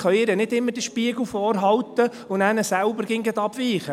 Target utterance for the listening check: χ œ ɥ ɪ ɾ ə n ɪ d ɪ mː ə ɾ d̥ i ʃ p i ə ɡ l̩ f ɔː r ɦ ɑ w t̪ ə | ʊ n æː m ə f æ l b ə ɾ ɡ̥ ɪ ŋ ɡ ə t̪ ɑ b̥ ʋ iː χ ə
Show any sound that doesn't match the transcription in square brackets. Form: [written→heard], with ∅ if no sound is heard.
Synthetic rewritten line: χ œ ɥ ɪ ɾ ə n ɪ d ɪ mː ə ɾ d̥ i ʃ p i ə ɡ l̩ f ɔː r ɦ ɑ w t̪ ə | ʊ n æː [m→n] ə [f→s] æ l b ə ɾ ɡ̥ ɪ ŋ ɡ ə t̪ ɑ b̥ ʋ iː χ ə